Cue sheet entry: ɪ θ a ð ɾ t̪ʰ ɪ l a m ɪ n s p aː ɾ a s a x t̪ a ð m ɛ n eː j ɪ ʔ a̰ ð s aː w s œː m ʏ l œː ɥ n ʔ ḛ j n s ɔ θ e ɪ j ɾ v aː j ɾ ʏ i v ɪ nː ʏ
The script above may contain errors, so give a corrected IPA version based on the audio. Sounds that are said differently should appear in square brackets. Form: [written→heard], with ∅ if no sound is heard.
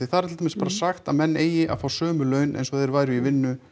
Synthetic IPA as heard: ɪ θ a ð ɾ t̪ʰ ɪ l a m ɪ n s p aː ɾ a s a x t̪ a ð m ɛ [n→nː] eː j ɪ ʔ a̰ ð [s→f] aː w s œː m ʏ l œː ɥ n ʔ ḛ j n s ɔ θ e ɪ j ɾ v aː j ɾ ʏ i v ɪ nː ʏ